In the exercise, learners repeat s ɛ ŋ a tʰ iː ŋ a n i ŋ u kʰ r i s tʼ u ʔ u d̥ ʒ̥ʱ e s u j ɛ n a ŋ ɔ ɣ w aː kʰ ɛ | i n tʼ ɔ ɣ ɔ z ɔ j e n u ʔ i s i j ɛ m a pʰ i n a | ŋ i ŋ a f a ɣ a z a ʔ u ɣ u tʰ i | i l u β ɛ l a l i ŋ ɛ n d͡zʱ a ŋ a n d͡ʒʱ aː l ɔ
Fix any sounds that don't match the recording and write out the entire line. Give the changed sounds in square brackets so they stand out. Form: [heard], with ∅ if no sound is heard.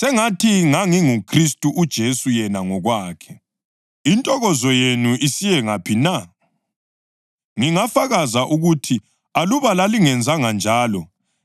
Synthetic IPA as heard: s ɛ ŋ a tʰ [i] ŋ a [ŋ] i ŋ u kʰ r i s tʼ u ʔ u d̥ ʒ̥ʱ e s u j ɛ n a ŋ ɔ ɣ w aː kʰ ɛ | i n tʼ ɔ ɣ ɔ z ɔ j e n u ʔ i s i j ɛ [ŋ] a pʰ i n a | ŋ i ŋ a f a ɣ a z a ʔ u ɣ u tʰ i | [a] l u β [a] l a l i ŋ ɛ n d͡zʱ a ŋ a n d͡ʒʱ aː l ɔ